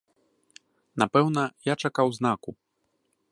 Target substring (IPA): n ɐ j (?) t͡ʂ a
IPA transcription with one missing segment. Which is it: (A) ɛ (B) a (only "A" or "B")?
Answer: B